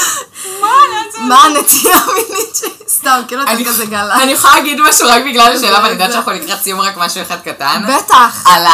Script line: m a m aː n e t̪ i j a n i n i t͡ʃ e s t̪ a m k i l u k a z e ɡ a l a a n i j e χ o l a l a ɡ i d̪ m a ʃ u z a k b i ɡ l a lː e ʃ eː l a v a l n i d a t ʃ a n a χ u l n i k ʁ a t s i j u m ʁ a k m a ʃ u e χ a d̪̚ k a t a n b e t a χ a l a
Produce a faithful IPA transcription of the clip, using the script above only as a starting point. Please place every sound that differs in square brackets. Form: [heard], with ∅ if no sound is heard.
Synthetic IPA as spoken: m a m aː n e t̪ i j a [m] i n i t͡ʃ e s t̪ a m k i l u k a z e ɡ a l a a n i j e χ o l a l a ɡ i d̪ m a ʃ u [ʁ] a k b i ɡ l a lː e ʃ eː l a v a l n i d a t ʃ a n a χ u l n i k ʁ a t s i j u m ʁ a k m a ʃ u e χ a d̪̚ k a t a n b e t a χ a l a